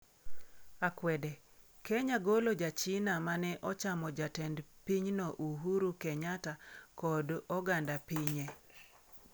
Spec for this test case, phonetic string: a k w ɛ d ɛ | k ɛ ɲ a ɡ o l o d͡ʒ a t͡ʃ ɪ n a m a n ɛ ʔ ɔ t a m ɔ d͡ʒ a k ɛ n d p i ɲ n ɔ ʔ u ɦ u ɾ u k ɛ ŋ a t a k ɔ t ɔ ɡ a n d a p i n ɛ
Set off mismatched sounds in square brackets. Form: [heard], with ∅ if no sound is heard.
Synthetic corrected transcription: a k w ɛ d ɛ | k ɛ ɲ a ɡ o l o d͡ʒ a t͡ʃ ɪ n a m a n ɛ ʔ ɔ [t͡ʃ] a m ɔ d͡ʒ a [t] ɛ n d p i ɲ n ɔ ʔ u ɦ u ɾ u k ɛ [ɲ] a t a k ɔ [d] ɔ ɡ a n d a p i [ɲ] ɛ